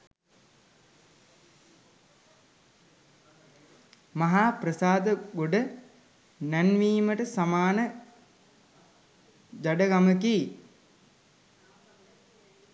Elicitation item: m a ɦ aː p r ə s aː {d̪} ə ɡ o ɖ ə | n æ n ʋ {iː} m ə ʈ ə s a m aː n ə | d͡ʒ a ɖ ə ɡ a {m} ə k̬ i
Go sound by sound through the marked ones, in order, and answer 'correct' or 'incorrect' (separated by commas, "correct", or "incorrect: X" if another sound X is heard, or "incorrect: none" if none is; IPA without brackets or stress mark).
correct, correct, correct